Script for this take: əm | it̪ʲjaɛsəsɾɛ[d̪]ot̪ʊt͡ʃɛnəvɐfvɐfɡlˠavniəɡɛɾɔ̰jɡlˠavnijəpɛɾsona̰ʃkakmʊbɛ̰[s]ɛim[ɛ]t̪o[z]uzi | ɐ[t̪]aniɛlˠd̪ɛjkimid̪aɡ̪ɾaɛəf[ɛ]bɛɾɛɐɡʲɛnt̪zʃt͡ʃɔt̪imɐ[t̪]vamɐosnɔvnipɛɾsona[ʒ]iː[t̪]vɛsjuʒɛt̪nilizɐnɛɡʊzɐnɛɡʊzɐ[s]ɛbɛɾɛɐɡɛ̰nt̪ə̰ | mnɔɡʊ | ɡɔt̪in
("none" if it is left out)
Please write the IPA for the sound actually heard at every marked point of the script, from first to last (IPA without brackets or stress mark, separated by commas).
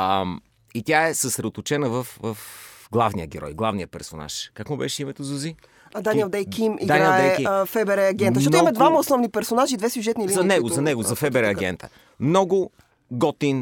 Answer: d̪, ʃ, ɛ, z, d̪, ɛ, d̪, ʒ, d̪, f